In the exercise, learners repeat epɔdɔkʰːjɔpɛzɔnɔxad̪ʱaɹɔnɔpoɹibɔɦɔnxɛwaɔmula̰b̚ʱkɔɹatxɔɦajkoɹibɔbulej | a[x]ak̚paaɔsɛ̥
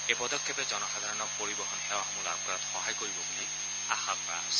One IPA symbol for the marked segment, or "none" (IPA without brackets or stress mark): x